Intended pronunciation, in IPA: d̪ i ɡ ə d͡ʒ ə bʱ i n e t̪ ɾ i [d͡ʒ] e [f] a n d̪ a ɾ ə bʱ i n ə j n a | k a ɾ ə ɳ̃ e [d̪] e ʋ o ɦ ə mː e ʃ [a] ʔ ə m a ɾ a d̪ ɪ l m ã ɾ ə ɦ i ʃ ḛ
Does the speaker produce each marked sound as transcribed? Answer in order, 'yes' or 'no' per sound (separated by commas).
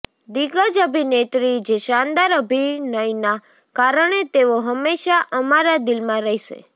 yes, no, no, yes